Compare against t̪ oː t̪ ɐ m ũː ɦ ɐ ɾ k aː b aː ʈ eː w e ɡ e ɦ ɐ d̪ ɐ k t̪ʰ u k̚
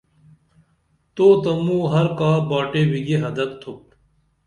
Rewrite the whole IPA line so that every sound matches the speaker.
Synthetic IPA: t̪ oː t̪ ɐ m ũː ɦ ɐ ɾ k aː b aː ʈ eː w i ɡ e ɦ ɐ d̪ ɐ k t̪ʰ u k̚